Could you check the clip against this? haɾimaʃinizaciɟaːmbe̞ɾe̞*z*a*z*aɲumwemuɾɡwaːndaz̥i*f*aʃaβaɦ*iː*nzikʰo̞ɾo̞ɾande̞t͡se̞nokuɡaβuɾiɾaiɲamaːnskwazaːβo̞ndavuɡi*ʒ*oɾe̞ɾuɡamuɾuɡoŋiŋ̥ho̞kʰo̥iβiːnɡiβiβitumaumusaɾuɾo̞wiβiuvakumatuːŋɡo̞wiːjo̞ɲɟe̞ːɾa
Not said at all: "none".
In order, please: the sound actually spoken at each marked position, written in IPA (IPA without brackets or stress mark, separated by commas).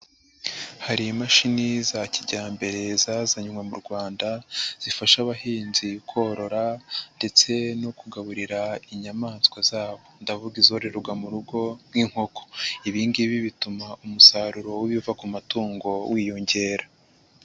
z, z, f, iː, z